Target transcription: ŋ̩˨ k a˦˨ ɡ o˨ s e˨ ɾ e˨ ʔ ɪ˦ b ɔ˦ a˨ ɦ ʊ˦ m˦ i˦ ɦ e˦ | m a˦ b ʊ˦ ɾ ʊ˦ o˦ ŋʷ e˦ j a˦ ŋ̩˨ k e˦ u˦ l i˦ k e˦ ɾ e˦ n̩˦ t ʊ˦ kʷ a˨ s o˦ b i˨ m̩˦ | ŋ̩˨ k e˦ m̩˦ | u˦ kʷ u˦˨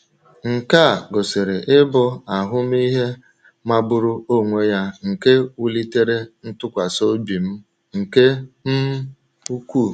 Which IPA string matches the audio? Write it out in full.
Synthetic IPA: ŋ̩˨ k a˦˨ ɡ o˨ s e˨ ɾ e˨ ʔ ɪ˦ b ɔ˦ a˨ ɦ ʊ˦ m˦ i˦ ɦ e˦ | m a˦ b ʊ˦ ɾ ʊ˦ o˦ ŋʷ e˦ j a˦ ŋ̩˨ k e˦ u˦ l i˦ t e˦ ɾ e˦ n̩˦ t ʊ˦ kʷ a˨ s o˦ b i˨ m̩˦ | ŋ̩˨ k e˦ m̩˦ | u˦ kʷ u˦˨